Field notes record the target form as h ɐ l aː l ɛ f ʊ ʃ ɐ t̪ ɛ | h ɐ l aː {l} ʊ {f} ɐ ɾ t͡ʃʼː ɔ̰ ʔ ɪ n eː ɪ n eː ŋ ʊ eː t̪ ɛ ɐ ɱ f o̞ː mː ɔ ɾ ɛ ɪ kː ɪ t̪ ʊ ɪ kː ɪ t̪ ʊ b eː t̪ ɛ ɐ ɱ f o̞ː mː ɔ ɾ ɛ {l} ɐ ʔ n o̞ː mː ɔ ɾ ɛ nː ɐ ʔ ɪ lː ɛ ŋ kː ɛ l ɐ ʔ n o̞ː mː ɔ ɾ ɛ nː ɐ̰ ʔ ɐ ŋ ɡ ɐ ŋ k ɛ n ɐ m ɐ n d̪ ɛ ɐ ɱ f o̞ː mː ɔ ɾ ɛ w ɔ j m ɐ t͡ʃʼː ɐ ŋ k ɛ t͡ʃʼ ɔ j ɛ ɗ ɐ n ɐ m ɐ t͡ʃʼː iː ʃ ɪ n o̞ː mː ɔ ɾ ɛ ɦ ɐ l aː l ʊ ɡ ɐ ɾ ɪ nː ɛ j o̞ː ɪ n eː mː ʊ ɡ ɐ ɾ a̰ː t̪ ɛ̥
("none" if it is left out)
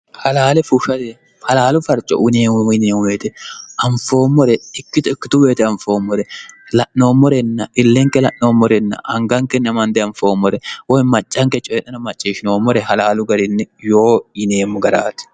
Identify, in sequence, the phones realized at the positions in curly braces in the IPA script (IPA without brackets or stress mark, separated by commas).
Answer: l, f, l